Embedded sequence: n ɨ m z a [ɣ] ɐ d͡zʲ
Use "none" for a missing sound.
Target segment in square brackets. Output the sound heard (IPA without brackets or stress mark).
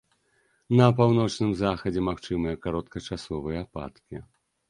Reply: x